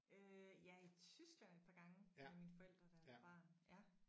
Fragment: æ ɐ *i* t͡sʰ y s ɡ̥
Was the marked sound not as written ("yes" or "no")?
no